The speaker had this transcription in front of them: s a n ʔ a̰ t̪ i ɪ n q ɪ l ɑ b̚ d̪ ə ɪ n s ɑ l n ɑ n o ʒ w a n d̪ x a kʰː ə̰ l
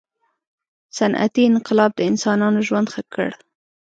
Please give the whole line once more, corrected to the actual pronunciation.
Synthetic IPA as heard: s a n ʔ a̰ t̪ i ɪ n q ɪ l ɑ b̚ d̪ ə ɪ n s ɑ n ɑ n o ʒ w a n d̪ x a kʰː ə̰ ɽ